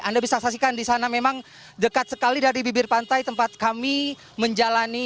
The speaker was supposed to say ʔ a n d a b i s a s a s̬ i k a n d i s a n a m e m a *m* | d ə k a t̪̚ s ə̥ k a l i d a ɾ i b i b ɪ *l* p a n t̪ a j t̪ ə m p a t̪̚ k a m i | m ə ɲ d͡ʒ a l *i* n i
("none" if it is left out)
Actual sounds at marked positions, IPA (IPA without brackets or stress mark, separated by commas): ŋ, r, a